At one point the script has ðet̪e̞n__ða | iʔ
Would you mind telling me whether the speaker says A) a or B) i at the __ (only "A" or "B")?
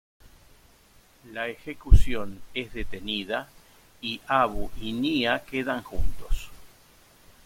B